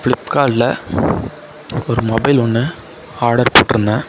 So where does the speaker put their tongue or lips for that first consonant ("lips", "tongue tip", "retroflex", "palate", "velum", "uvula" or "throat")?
lips